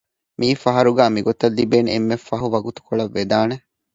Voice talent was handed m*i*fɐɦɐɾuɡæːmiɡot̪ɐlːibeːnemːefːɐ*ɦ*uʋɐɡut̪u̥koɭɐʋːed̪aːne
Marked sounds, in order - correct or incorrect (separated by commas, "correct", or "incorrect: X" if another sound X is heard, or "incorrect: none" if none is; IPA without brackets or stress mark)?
incorrect: iː, correct